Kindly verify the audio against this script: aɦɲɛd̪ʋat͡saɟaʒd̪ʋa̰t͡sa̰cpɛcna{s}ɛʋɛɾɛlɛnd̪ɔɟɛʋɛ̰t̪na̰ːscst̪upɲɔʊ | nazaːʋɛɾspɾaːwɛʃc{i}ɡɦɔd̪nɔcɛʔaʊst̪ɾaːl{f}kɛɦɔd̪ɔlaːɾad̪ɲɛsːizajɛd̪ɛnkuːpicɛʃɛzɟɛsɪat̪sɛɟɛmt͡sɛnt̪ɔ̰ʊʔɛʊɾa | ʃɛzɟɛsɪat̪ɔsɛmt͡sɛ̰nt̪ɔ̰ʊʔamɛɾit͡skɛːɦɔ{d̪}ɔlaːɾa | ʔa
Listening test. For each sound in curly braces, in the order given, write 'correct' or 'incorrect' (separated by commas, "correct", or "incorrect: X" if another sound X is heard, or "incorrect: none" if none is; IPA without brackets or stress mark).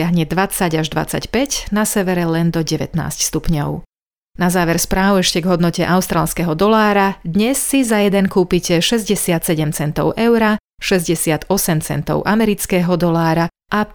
correct, incorrect: ɛ, incorrect: s, correct